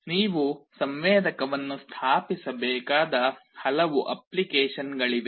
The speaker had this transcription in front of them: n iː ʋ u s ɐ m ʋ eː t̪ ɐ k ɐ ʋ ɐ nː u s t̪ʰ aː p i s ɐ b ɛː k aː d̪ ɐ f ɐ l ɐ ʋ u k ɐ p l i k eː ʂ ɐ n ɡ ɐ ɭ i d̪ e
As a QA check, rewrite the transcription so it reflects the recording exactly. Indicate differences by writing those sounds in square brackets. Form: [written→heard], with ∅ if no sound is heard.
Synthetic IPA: n iː ʋ u s ɐ m ʋ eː [t̪→d̪] ɐ k ɐ ʋ ɐ nː u s t̪ʰ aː p i s ɐ b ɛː k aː d̪ ɐ [f→h] ɐ l ɐ ʋ u [k→ʔ] ɐ p l i k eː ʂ ɐ n ɡ ɐ ɭ i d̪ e